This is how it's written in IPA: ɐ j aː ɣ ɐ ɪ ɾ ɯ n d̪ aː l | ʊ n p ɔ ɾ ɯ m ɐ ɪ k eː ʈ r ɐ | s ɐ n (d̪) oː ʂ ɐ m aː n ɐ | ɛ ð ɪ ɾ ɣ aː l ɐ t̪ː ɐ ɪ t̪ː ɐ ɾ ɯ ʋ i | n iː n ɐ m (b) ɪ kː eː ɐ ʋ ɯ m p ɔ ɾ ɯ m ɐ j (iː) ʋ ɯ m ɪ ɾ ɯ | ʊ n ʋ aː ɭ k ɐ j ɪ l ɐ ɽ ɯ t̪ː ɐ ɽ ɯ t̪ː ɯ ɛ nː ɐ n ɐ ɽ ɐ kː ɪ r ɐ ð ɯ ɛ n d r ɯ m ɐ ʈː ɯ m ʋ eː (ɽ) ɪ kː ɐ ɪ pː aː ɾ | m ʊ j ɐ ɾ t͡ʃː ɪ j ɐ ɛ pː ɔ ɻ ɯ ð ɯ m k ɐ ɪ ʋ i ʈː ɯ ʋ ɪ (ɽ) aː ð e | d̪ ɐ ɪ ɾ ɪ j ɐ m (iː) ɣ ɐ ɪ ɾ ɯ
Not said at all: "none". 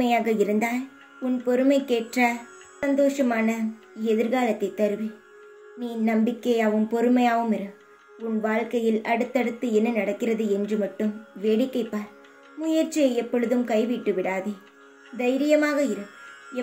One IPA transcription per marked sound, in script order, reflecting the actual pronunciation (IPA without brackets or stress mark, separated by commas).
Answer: d̪, b, aː, ɽ, ɽ, aː